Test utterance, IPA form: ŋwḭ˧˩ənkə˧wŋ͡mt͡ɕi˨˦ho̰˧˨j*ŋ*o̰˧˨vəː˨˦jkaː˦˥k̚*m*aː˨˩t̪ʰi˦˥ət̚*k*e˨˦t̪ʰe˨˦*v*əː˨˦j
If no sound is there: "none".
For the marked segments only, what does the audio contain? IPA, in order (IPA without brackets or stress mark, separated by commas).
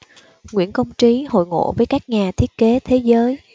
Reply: ŋ, ɲ, k, z